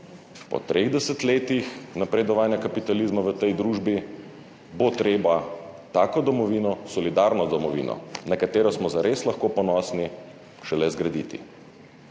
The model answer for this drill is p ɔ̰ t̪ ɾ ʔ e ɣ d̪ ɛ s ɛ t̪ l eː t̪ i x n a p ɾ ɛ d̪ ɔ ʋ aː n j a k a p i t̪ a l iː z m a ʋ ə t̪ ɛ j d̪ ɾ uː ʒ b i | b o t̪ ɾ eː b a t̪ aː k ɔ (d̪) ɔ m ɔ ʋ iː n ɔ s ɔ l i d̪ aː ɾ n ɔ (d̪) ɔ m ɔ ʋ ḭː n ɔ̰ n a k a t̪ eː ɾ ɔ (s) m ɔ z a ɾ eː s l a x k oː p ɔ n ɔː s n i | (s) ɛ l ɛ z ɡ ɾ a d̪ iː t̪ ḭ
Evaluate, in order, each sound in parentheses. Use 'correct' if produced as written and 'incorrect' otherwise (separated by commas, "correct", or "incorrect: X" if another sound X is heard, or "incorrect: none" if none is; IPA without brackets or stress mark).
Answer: correct, correct, correct, incorrect: ʃ